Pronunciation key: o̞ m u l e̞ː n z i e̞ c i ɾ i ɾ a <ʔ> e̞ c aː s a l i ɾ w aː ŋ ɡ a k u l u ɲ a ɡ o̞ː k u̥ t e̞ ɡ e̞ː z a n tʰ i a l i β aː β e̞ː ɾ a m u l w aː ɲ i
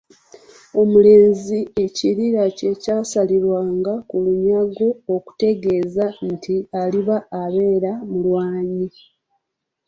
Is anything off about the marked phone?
yes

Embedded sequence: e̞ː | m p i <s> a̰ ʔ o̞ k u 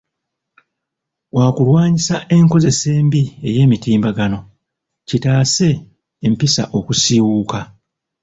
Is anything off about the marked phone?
no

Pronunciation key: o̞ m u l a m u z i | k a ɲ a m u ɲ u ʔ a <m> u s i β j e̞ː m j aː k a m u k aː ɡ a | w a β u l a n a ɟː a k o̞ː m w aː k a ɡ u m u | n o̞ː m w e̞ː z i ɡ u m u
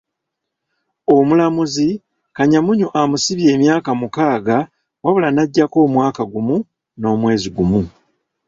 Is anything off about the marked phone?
no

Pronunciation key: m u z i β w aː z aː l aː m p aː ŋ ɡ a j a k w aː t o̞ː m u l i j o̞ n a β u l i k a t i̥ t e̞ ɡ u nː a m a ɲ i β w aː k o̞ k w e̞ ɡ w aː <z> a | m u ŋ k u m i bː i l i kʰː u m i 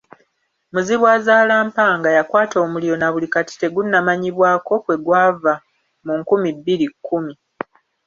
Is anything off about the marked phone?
yes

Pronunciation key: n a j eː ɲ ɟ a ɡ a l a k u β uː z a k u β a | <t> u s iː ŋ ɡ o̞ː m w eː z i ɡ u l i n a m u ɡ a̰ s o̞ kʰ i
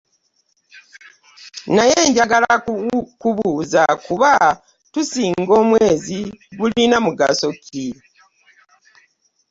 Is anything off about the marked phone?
no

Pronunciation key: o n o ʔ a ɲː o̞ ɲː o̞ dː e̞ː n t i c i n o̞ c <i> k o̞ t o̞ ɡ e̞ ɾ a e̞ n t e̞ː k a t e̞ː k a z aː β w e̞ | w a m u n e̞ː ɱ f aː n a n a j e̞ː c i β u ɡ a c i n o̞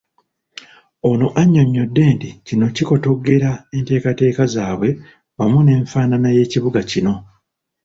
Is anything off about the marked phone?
no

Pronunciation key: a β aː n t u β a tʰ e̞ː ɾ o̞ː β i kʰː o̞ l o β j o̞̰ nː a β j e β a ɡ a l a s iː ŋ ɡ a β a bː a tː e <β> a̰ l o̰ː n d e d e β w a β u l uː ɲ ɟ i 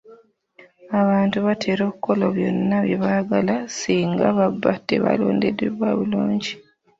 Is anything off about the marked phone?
no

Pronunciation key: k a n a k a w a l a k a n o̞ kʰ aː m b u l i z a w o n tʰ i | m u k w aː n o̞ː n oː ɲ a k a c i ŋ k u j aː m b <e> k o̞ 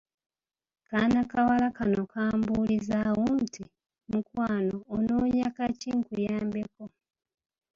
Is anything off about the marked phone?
no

